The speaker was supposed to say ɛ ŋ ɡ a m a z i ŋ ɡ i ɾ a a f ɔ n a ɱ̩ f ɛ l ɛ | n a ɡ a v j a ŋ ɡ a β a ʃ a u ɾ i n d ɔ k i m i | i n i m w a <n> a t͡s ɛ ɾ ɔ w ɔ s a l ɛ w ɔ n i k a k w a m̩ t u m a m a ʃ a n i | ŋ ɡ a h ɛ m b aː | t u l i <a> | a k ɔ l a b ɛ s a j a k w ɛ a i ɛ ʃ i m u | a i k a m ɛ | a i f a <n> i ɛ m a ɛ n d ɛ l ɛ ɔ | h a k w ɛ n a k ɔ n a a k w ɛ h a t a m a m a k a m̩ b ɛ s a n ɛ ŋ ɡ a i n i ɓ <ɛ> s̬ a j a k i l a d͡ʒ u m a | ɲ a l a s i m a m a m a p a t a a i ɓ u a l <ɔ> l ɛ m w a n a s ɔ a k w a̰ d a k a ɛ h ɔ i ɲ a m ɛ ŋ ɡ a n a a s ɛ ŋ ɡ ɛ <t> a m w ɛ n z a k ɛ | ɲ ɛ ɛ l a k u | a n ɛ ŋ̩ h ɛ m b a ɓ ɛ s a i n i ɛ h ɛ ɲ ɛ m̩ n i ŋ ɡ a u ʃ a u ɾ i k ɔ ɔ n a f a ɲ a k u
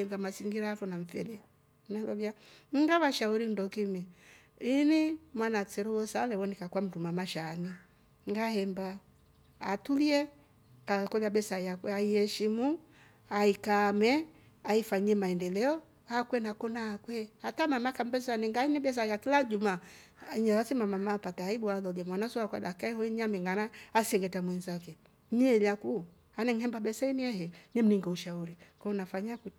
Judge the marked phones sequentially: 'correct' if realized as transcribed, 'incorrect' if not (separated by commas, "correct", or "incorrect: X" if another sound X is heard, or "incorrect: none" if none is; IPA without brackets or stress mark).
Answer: correct, incorrect: ɛ, incorrect: ɲ, correct, correct, correct